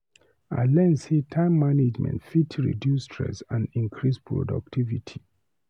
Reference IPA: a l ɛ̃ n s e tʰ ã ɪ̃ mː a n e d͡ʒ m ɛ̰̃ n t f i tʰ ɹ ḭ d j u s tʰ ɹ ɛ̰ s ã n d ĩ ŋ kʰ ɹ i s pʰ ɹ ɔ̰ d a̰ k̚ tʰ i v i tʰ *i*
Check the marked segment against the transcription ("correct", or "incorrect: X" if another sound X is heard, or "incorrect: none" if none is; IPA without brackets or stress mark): correct